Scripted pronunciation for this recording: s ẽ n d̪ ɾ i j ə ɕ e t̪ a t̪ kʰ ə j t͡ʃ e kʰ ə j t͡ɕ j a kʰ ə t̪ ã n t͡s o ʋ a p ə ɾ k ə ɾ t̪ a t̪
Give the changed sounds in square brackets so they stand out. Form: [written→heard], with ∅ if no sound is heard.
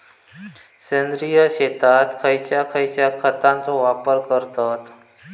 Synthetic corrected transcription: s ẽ n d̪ ɾ i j ə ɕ e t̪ a t̪ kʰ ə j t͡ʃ [e→a] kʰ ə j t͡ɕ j a kʰ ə t̪ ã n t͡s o ʋ a p ə ɾ k ə ɾ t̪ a t̪